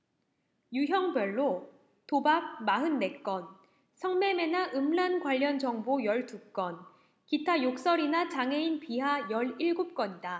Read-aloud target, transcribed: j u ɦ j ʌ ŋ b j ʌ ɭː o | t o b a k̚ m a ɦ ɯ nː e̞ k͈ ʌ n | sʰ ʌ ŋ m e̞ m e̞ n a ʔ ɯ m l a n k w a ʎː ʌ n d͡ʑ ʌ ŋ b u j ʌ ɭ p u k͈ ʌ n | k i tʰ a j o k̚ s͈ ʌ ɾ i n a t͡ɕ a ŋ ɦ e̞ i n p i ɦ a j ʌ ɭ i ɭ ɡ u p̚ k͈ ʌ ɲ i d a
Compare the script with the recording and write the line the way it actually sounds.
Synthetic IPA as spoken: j u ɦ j ʌ ŋ b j ʌ ɭː o | t o b a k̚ m a ɦ ɯ nː e̞ k͈ ʌ n | sʰ ʌ ŋ m e̞ m e̞ n a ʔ ɯ m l a n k w a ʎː ʌ n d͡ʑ ʌ ŋ b o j ʌ ɭ t u k͈ ʌ n | k i tʰ a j o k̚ s͈ ʌ ɾ i n a t͡ɕ a ŋ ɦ e̞ i n p i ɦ a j ʌ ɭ i ɭ ɡ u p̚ k͈ ʌ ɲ i d a